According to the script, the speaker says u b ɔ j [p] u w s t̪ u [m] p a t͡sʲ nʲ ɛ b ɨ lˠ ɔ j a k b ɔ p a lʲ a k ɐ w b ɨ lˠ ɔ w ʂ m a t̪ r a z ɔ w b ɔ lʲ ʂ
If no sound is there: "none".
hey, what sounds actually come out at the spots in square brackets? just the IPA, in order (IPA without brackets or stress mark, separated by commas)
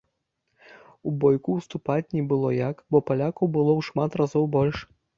k, none